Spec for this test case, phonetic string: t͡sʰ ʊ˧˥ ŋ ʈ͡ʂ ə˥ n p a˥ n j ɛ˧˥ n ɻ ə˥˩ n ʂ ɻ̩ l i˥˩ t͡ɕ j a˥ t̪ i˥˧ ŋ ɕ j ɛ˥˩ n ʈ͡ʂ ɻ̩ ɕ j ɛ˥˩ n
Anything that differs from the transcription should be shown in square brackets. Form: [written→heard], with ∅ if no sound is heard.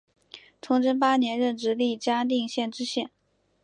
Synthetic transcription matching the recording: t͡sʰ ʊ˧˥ ŋ ʈ͡ʂ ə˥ n p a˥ n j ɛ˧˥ n ɻ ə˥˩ n [ʂ→ʈ͡ʂ] ɻ̩ l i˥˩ t͡ɕ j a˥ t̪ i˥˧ ŋ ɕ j ɛ˥˩ n ʈ͡ʂ ɻ̩ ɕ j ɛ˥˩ n